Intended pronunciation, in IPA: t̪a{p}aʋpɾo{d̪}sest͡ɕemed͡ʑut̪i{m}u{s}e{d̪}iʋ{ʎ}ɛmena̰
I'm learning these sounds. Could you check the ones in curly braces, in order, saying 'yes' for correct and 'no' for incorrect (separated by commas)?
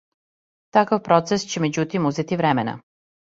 no, no, yes, no, no, no